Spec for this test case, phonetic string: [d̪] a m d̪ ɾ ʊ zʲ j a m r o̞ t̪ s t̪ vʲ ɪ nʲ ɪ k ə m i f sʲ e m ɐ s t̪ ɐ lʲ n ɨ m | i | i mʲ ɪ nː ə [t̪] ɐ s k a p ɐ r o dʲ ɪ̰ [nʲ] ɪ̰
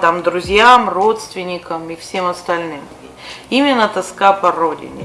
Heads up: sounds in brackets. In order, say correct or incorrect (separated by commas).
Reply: incorrect, correct, correct